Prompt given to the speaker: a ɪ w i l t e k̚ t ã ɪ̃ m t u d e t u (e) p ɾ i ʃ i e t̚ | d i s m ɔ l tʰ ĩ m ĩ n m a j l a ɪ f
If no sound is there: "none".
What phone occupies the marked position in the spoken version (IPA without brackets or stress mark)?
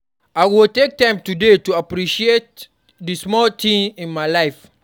a